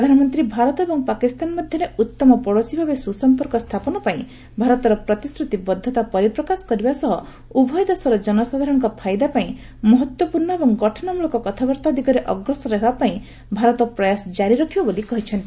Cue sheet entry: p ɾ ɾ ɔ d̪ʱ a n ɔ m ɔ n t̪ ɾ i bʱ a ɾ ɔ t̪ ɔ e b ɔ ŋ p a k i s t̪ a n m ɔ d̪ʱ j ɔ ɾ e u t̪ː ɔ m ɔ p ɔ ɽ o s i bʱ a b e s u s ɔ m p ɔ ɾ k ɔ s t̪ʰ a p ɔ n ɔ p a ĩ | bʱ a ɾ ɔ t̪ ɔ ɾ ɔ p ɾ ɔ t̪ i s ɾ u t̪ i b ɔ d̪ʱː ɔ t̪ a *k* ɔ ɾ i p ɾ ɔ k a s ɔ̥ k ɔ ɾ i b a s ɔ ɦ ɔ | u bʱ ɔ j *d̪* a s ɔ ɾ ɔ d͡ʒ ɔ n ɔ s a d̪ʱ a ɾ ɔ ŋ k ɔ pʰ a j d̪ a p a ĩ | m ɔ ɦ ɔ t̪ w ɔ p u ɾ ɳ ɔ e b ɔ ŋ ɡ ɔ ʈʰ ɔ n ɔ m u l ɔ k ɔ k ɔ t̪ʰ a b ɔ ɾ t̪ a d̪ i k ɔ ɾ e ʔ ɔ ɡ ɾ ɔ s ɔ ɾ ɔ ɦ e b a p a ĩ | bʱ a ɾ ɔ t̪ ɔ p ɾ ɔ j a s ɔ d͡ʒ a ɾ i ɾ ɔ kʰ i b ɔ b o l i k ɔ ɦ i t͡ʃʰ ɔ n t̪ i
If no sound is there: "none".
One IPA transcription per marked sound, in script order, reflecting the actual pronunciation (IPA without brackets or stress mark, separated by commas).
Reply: p, d̪